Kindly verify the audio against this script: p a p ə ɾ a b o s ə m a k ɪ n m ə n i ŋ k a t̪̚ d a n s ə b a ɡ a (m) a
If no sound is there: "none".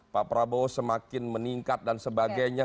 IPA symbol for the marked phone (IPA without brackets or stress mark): ɲ